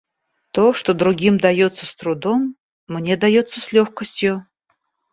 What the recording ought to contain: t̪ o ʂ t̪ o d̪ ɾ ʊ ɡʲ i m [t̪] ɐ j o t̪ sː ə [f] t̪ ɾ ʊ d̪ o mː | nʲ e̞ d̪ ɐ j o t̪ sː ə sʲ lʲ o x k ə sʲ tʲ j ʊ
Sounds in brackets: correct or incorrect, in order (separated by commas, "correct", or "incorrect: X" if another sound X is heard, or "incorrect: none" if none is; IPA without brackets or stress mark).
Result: incorrect: d̪, incorrect: s